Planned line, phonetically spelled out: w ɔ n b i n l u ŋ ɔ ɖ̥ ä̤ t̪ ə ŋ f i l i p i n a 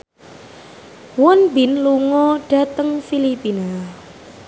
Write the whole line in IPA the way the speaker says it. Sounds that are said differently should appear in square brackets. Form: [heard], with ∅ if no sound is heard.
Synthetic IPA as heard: w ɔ n b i n l u ŋ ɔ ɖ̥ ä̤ t̪ ə ŋ f i l i p i n a